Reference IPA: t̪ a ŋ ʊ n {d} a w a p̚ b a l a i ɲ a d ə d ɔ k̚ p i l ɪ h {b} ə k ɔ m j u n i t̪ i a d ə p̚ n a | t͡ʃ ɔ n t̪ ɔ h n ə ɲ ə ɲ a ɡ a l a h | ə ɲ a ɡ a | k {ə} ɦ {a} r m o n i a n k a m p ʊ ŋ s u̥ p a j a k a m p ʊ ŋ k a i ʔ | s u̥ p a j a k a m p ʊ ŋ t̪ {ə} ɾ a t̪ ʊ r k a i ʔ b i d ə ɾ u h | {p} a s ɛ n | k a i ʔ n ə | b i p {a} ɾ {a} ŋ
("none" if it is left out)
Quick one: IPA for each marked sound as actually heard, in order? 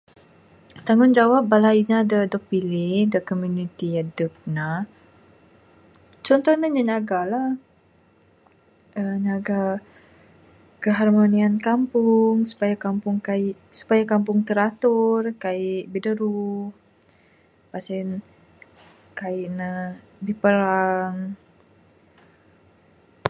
d͡ʒ, d, ə, a, ə, p, ə, a

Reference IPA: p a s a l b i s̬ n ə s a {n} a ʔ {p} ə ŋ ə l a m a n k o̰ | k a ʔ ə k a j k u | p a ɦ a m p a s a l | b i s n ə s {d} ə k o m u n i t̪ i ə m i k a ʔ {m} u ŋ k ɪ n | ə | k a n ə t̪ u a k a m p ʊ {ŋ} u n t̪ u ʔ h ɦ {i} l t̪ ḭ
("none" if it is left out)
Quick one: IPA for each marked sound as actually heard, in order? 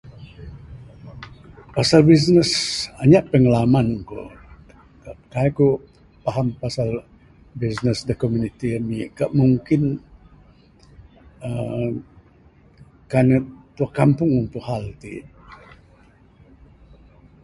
ɲ, p, d, m, ŋ, a

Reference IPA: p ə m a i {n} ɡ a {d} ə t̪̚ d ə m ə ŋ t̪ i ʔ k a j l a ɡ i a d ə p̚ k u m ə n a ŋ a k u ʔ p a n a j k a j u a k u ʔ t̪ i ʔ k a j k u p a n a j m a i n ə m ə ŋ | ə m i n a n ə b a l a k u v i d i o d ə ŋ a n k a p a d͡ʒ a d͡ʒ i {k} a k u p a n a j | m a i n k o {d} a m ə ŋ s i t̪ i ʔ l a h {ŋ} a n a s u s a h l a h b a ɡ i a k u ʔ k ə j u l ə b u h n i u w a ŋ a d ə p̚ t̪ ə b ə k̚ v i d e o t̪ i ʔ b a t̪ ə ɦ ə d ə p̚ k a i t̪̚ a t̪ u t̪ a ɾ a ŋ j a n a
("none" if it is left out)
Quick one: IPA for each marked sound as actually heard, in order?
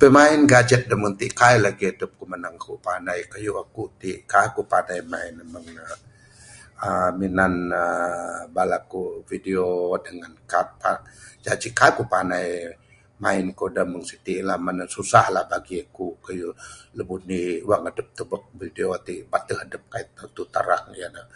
n, d͡ʒ, k, d, m

